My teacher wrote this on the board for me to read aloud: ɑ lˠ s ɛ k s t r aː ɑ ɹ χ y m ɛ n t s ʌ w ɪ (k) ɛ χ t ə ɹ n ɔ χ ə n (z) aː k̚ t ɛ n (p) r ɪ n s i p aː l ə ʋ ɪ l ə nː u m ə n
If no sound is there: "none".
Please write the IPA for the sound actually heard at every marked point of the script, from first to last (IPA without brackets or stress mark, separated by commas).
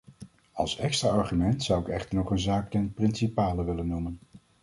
k, z, p